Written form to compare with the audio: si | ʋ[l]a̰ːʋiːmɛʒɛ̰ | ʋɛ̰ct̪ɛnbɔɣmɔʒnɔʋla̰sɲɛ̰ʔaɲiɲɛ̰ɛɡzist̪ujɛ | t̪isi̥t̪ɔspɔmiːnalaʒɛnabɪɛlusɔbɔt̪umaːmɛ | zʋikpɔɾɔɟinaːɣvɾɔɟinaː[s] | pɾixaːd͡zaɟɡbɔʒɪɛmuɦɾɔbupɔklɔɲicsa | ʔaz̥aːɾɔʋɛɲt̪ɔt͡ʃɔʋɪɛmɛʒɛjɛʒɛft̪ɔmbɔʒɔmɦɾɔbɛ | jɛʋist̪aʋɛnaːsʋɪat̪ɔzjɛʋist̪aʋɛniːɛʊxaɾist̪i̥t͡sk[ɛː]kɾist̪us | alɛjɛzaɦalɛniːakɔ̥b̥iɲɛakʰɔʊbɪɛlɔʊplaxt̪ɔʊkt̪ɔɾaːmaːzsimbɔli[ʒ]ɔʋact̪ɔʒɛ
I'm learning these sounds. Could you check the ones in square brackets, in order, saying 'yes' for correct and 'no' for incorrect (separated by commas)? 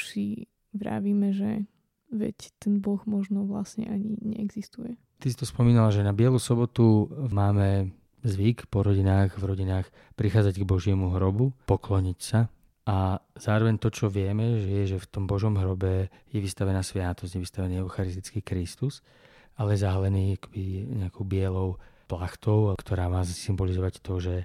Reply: no, no, no, no